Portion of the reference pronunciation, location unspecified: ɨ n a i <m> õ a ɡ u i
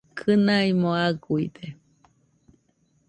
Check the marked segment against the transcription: correct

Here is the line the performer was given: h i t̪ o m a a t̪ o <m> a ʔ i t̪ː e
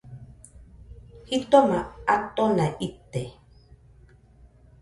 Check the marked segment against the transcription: incorrect: n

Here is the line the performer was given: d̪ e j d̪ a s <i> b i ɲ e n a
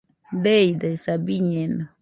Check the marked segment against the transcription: incorrect: a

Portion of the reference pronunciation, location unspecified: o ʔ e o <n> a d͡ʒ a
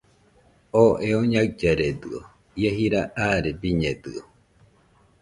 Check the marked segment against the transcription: incorrect: ɲ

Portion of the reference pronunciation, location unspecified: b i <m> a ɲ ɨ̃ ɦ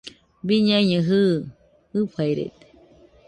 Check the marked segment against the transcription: incorrect: ɲ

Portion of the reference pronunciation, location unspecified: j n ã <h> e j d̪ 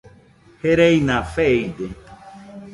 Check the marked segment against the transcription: incorrect: f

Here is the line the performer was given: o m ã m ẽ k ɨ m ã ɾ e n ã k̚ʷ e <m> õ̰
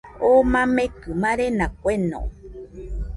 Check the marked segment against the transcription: incorrect: n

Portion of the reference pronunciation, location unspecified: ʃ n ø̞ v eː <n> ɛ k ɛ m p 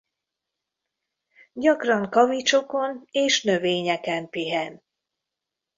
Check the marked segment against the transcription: incorrect: ɲ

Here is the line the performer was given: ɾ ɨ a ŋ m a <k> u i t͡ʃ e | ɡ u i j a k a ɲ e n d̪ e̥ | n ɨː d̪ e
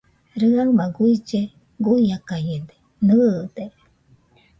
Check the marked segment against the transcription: incorrect: ɡ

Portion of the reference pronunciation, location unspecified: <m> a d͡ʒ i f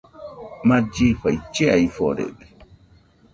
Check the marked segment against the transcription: correct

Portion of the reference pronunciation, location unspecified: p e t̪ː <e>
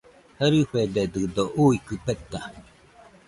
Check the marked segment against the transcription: incorrect: a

